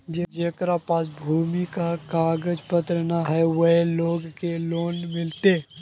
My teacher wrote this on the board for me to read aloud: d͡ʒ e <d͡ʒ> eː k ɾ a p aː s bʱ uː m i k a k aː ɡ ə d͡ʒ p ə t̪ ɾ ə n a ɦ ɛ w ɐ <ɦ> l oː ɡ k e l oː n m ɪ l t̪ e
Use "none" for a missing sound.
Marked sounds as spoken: d͡ʒ, ɦ

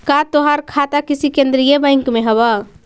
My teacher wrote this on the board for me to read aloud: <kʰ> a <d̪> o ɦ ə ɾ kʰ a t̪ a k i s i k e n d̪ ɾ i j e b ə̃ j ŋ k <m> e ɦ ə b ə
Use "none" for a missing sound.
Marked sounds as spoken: k, t̪, m

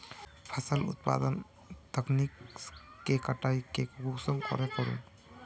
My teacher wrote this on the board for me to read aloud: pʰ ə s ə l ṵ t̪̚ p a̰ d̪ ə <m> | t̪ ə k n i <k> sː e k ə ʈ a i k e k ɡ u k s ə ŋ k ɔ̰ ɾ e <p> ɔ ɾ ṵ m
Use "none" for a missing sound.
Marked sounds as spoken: n, k, k

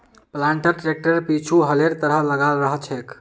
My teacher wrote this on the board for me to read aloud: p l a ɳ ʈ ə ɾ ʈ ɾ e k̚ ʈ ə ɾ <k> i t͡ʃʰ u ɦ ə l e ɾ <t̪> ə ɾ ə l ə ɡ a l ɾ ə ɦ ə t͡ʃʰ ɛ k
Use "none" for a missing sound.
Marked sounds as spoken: p, t̪

